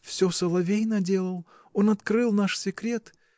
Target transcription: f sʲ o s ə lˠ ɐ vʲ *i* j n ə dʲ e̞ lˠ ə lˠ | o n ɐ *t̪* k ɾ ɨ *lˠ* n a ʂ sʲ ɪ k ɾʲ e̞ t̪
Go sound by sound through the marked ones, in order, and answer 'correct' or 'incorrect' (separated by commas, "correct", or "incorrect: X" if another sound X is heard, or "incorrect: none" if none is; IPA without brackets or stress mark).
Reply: incorrect: e, correct, correct